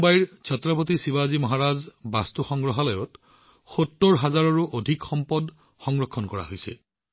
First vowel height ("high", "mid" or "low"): low